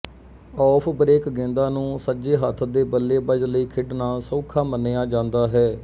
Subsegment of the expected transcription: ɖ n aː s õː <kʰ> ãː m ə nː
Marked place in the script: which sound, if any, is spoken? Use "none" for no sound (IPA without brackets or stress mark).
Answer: kʰ